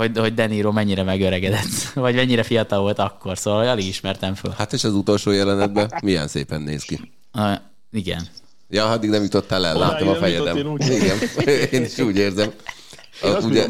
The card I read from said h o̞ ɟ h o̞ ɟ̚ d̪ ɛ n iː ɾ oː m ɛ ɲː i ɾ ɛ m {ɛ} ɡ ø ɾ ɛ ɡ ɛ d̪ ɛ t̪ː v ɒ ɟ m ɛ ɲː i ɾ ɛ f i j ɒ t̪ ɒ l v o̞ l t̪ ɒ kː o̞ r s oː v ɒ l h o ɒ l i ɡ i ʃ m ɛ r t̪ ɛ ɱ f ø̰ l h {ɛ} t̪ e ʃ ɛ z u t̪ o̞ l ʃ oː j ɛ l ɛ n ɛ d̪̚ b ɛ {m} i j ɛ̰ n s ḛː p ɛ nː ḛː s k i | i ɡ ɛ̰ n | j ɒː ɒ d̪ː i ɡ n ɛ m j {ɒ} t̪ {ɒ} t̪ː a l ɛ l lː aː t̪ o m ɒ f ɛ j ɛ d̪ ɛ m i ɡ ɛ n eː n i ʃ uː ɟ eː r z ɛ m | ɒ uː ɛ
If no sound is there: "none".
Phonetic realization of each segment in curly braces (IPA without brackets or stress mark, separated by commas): ɛ, a, m, u, o